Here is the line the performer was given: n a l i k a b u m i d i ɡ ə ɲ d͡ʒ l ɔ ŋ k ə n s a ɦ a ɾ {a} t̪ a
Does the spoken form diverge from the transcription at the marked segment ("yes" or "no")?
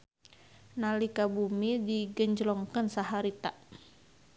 yes